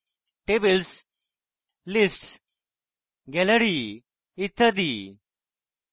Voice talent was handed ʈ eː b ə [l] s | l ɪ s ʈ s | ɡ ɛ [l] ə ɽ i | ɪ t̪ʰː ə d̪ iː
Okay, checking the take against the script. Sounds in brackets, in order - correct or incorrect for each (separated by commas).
correct, correct